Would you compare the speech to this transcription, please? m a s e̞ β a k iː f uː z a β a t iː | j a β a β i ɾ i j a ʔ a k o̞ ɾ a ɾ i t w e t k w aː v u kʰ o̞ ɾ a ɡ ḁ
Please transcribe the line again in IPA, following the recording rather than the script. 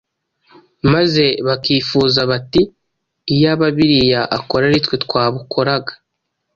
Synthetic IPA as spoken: m a z e̞ β a k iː f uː z a β a t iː | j a β a β i ɾ i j a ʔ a k o̞ ɾ a ɾ i t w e t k w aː β u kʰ o̞ ɾ a ɡ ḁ